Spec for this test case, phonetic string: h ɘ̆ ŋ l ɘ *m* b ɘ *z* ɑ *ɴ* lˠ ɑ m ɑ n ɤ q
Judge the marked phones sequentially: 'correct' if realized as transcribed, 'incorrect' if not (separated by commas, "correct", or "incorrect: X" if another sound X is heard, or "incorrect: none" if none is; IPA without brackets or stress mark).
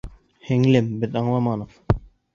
correct, incorrect: ð, correct